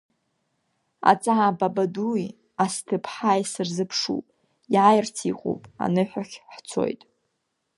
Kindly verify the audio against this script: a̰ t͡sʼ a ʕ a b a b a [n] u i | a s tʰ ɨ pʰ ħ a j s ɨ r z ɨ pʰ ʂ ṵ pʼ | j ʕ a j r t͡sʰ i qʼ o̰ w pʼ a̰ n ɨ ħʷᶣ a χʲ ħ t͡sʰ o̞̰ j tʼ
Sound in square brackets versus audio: incorrect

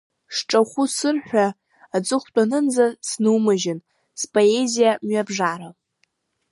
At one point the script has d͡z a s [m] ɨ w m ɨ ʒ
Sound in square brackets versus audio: incorrect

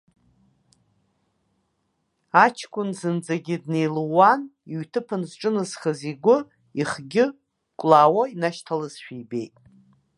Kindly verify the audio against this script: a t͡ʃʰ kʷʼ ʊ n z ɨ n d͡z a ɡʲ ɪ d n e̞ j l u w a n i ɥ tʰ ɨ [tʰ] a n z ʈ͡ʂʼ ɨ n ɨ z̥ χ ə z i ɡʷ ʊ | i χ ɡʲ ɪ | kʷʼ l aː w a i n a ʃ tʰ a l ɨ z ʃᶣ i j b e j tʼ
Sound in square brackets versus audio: incorrect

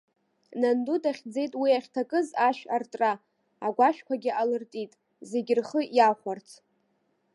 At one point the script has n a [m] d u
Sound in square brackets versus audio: incorrect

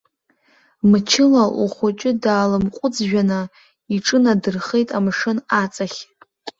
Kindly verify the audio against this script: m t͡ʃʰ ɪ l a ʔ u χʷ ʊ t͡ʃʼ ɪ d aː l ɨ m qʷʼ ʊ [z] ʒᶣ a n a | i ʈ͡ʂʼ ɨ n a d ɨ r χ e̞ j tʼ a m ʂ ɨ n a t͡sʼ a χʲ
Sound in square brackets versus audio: incorrect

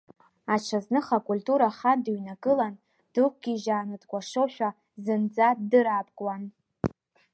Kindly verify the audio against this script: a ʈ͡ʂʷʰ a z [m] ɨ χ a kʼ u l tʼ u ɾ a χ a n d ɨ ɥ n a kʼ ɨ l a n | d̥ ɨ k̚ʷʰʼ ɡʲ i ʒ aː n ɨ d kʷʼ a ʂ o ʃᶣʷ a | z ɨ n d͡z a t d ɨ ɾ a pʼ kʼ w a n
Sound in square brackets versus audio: incorrect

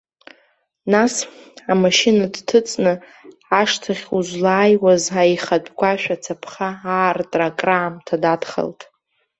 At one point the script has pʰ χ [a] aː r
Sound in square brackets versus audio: correct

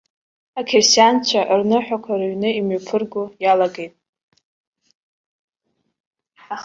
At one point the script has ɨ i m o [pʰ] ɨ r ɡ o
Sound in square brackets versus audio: correct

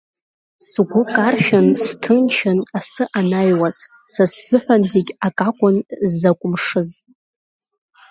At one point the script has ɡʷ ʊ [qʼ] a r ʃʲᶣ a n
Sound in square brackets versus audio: incorrect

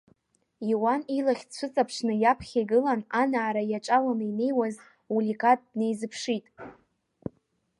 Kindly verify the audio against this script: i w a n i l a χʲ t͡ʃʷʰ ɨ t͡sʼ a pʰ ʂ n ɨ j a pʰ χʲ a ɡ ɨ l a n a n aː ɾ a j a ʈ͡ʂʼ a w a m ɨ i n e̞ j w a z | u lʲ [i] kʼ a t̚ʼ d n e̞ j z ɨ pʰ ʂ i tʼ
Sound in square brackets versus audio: correct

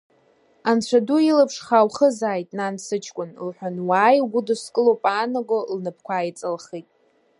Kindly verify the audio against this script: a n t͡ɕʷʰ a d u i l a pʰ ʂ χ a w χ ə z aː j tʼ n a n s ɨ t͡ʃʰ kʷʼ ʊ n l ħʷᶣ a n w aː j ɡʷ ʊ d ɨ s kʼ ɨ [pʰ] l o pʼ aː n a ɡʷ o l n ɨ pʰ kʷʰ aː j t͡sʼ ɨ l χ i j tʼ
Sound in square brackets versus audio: incorrect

